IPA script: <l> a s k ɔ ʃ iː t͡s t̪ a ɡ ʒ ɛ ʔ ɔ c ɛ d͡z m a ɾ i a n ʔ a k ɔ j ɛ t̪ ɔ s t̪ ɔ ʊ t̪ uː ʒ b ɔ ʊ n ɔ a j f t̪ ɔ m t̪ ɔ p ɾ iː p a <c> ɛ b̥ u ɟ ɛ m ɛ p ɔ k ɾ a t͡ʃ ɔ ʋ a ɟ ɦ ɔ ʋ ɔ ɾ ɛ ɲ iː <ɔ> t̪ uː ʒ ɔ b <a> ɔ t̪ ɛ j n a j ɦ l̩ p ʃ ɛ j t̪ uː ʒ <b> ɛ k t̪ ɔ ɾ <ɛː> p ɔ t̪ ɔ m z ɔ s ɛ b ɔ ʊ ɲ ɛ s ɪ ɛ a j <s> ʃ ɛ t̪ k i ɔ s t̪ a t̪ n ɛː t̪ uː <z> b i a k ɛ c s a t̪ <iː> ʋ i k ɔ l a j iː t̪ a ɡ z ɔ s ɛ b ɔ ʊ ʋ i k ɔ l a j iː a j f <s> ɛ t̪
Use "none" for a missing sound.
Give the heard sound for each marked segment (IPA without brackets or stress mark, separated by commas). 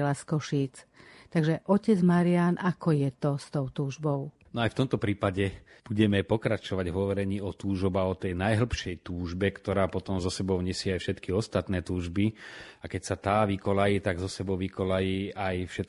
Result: l, ɟ, ɔ, a, b, aː, f, ʒ, aː, ʃ